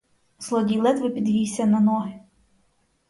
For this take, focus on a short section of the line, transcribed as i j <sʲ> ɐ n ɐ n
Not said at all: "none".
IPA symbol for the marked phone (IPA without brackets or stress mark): sʲ